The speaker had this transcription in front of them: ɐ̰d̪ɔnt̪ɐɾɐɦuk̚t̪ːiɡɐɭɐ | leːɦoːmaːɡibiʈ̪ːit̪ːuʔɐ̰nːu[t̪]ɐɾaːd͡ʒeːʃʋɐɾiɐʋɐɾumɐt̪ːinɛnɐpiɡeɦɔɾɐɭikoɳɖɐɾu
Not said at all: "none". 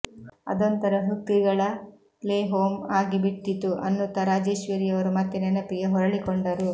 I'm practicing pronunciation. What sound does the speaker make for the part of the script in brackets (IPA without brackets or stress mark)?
t̪